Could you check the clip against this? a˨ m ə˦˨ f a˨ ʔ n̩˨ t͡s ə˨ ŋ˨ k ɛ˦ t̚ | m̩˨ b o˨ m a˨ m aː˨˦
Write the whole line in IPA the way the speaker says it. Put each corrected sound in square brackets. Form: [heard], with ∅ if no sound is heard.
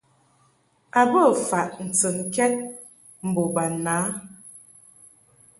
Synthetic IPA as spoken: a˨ [b] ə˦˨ f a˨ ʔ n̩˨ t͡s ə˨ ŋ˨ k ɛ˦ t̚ | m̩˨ b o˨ [b] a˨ [n] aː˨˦